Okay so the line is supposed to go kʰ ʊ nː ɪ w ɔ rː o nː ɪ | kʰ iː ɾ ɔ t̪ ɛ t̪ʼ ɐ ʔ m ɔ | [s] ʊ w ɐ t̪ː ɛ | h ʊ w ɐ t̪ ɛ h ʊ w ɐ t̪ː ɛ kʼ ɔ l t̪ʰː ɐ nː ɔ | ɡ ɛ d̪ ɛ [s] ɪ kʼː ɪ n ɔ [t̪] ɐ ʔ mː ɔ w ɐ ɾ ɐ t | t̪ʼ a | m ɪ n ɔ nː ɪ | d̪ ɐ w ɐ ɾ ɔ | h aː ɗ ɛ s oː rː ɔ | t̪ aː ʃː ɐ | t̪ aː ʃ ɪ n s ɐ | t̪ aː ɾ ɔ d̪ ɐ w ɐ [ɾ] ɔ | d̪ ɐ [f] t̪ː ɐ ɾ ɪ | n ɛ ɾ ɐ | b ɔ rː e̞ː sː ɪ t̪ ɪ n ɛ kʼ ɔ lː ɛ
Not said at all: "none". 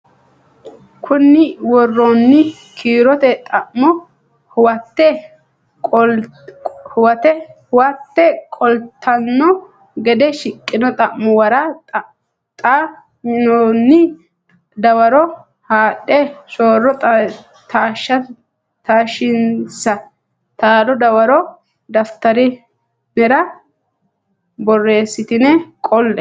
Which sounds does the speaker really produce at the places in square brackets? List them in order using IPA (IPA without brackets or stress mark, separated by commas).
h, ʃ, t̪ʼ, ɾ, f